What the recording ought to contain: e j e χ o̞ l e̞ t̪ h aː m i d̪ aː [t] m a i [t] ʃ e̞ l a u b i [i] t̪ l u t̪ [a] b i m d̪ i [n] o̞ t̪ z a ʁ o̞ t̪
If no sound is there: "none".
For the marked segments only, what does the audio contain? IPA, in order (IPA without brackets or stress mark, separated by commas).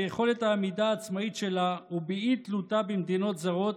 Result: t͡s, t, i, a, n